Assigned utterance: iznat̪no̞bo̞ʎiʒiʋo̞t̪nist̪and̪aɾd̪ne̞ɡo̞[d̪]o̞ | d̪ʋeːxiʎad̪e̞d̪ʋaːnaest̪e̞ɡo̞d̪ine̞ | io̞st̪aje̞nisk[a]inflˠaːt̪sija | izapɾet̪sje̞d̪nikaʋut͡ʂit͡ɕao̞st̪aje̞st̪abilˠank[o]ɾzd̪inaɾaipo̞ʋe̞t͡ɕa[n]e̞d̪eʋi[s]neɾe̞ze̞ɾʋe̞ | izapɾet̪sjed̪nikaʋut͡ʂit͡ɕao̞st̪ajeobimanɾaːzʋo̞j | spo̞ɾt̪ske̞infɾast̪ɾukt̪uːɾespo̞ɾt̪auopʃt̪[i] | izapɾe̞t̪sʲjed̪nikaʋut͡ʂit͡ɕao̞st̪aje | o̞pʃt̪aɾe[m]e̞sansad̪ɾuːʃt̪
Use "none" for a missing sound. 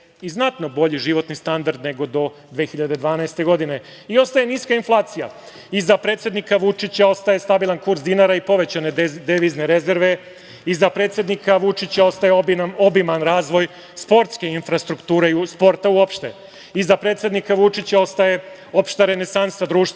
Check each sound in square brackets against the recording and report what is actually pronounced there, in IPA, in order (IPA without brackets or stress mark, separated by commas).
d̪, a, u, n, z, e, n